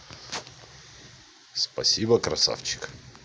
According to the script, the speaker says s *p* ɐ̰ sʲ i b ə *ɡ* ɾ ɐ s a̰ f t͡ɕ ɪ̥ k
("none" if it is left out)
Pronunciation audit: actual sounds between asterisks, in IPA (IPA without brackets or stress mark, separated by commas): p, k